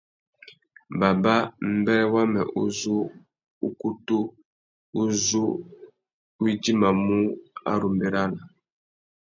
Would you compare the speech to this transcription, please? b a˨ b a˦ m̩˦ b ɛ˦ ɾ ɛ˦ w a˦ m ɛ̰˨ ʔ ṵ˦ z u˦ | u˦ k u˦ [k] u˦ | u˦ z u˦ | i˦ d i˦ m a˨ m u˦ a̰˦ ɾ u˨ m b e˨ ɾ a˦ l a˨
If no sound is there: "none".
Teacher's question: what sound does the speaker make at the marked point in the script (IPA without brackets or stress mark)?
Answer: t